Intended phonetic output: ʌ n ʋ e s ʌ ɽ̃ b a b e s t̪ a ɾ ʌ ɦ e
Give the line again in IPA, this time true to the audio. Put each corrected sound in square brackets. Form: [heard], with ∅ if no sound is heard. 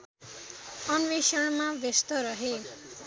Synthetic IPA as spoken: ʌ n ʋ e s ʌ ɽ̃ [m] a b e s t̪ [ʌ] ɾ ʌ ɦ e